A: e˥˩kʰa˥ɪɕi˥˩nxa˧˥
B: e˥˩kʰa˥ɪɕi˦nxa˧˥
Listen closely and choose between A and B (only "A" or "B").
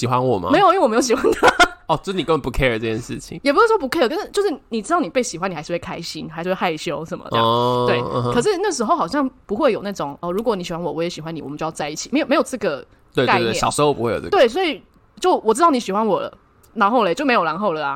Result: B